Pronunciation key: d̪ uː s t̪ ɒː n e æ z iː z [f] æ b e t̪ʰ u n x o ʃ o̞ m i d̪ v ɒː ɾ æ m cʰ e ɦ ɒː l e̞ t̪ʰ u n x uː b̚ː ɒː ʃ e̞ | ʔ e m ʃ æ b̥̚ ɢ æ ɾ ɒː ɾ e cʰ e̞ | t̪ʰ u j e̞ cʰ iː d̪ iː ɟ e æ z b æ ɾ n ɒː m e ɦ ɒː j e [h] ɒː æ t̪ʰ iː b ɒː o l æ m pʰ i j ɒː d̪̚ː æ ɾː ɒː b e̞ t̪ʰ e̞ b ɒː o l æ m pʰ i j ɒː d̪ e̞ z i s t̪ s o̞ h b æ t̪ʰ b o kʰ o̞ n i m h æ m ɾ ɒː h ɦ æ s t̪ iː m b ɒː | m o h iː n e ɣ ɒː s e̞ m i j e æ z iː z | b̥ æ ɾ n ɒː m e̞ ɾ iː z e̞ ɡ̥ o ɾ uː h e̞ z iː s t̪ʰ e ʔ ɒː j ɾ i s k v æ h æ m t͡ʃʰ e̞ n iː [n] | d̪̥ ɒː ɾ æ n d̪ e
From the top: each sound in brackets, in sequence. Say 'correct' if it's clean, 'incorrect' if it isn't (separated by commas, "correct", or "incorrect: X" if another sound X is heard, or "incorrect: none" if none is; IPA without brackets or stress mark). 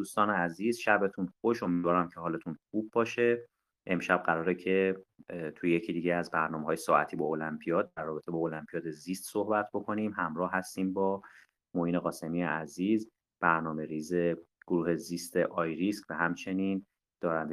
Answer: incorrect: ʃ, incorrect: s, correct